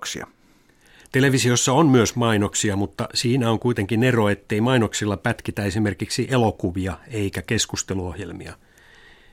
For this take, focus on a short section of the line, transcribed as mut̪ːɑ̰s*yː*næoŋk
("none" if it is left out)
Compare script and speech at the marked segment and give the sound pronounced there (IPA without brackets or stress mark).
iː